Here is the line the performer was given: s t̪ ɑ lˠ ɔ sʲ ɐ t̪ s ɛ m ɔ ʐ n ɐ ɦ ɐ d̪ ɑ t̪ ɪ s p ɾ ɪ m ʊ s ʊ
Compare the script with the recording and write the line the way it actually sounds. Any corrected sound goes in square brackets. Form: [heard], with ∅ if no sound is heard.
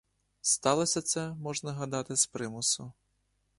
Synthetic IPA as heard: s t̪ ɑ lˠ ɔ sʲ ɐ t̪ s ɛ m ɔ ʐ n ɐ ɦ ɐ d̪ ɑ t̪ ɪ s p ɾ ɪ m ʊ s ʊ